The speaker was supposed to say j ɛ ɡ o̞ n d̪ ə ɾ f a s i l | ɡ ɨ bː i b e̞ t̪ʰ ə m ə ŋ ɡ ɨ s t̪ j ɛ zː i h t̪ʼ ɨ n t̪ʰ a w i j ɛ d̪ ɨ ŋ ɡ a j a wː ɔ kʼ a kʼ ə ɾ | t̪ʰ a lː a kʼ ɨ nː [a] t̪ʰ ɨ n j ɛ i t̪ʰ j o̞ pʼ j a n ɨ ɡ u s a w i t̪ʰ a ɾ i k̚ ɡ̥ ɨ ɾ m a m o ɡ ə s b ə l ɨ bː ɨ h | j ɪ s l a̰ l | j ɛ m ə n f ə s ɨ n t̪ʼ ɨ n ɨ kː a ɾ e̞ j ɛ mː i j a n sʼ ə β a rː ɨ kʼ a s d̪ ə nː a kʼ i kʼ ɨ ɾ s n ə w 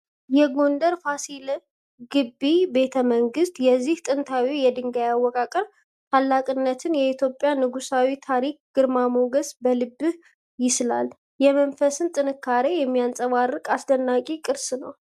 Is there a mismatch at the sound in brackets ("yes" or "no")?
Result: yes